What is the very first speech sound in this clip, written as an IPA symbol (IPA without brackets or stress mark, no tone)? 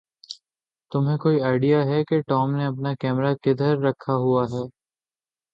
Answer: t̪